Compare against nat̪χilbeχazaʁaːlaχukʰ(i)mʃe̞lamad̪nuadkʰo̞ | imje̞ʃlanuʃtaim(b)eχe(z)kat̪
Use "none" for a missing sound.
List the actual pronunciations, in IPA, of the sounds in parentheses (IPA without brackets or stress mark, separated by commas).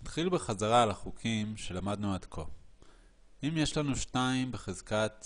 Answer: i, b, z